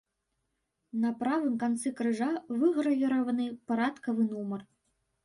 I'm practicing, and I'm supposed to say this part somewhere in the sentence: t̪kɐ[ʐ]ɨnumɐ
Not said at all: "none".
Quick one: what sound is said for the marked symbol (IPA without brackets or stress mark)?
v